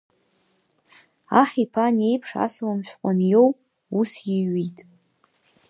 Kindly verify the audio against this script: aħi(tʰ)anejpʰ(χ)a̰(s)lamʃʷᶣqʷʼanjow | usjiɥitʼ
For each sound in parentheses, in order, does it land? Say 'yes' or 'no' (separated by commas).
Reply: no, no, yes